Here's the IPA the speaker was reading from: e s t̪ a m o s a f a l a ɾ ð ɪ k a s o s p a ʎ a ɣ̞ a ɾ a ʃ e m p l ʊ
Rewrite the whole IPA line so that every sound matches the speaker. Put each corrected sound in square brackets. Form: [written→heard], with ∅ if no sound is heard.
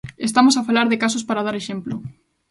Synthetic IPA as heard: e s t̪ a m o s a f a l a ɾ ð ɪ k a s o s p a [ʎ→ɾ] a [ɣ̞→ð̞] a ɾ [a→e] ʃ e m p l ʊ